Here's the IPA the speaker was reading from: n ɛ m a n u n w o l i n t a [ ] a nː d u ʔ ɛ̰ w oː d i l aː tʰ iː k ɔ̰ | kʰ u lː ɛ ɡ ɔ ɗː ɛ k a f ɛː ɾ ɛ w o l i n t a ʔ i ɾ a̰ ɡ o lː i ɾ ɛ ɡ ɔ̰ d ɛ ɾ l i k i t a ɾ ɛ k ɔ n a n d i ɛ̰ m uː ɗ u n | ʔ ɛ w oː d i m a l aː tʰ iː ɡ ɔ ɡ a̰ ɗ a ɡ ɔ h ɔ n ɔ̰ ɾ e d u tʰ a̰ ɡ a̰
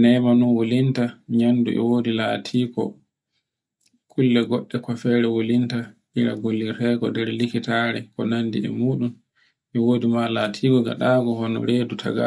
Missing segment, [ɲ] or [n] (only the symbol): ɲ